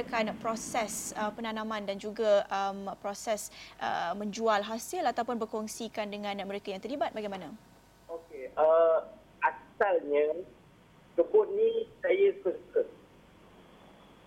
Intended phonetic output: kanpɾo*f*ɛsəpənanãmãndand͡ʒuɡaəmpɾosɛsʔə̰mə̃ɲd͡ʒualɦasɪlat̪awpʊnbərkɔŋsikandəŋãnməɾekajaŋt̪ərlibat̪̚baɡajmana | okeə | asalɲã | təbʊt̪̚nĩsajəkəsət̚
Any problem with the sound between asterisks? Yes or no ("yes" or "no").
yes